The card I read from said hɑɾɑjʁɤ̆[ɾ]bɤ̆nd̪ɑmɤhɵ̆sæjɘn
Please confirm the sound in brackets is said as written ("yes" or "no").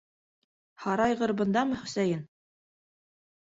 yes